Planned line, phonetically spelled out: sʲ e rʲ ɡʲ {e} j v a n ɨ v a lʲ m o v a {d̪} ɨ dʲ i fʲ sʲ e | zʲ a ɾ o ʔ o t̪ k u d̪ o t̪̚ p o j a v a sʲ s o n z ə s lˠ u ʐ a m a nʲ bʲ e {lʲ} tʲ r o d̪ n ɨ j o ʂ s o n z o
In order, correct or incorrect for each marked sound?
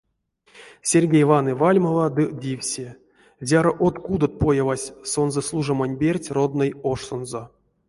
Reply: correct, correct, incorrect: rʲ

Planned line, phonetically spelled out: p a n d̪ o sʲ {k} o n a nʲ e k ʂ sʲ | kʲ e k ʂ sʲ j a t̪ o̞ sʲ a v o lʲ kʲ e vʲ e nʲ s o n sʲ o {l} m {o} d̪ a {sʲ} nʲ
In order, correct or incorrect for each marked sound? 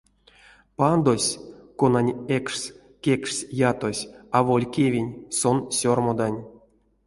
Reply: correct, incorrect: r, correct, incorrect: none

